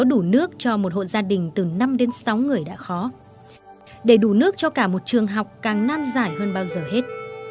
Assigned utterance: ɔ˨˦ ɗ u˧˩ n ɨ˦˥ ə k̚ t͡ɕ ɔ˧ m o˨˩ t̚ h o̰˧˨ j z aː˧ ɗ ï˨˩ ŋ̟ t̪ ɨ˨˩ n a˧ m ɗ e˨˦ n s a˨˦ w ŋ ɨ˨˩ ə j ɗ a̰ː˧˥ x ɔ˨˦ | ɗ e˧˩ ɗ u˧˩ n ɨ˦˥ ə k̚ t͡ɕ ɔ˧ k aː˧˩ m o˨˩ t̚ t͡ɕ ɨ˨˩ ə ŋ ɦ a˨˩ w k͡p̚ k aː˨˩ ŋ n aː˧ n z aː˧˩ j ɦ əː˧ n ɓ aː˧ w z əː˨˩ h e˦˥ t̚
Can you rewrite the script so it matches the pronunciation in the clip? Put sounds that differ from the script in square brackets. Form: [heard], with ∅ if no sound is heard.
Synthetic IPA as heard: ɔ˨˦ ɗ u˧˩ n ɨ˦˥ ə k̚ t͡ɕ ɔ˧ m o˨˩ t̚ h o̰˧˨ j z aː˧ ɗ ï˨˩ ŋ̟ t̪ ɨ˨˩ n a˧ m ɗ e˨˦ n s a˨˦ w ŋ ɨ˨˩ ə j ɗ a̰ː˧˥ x ɔ˨˦ | ɗ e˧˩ ɗ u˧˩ n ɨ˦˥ ə k̚ t͡ɕ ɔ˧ k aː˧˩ m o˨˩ t̚ t͡ɕ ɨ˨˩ ə ŋ ɦ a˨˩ w k͡p̚ k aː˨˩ ŋ n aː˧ n z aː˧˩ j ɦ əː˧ n ɓ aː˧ w z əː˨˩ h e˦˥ t̚